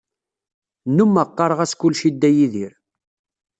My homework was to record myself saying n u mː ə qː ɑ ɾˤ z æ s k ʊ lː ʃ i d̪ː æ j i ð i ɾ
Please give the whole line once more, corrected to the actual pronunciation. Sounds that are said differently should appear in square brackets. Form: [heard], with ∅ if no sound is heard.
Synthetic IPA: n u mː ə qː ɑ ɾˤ [ʁ] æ s k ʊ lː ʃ i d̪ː æ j i ð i ɾ

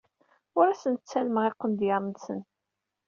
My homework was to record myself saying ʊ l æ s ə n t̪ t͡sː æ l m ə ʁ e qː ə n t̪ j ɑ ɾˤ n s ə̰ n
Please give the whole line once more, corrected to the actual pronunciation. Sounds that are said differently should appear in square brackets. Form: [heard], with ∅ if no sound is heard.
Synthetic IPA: ʊ [ɾ] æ s ə n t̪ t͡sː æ l m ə ʁ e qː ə n [d̪] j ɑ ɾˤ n s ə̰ n

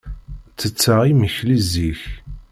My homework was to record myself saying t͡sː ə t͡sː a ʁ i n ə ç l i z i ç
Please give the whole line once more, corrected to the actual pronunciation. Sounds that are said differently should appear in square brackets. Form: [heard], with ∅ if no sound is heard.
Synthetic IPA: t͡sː ə t͡sː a ʁ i [m] ə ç l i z i ç

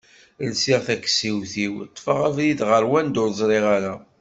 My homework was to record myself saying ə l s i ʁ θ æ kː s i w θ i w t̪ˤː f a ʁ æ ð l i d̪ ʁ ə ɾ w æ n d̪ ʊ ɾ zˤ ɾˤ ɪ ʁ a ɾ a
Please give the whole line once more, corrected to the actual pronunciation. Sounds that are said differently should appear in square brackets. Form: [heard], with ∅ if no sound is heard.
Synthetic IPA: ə l s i ʁ θ æ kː s i w θ i w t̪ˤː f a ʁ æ [v] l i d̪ ʁ ə ɾ w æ n d̪ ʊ ɾ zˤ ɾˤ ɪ ʁ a ɾ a

